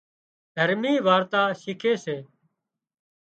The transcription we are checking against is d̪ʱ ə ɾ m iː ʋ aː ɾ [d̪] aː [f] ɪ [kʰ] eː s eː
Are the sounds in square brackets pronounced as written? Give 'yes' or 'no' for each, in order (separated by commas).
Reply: no, no, yes